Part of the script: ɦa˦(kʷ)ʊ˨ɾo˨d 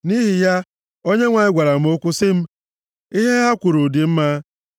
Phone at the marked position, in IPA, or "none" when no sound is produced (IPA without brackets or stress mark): kʷ